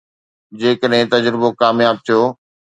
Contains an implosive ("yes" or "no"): yes